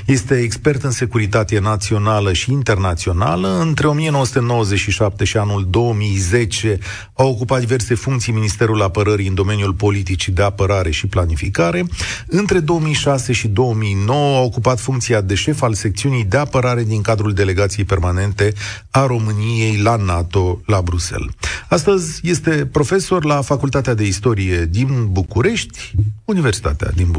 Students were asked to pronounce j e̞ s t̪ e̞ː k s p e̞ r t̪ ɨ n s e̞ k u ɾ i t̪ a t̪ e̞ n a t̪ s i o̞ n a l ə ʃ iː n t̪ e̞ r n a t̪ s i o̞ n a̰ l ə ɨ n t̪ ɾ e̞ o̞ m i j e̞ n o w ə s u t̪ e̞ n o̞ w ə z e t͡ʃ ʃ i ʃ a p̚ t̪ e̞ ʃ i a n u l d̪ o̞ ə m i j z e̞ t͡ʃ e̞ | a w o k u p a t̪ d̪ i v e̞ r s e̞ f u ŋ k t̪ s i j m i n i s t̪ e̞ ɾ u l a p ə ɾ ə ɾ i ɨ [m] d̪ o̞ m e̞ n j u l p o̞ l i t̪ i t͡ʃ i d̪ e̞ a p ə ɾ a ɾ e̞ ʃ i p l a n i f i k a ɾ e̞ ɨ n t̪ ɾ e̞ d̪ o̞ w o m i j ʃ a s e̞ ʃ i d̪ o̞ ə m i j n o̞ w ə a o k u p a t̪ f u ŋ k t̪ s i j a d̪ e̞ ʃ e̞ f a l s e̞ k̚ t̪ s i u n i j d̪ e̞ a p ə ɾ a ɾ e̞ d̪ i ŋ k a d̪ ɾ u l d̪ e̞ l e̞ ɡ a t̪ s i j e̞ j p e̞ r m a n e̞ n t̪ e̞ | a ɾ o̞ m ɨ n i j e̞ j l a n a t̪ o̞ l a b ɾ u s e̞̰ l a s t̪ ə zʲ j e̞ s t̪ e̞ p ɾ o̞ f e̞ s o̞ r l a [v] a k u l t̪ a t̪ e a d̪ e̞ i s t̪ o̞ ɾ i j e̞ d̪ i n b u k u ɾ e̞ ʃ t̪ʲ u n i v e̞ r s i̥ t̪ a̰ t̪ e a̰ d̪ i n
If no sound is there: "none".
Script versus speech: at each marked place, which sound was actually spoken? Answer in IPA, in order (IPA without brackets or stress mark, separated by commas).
n, f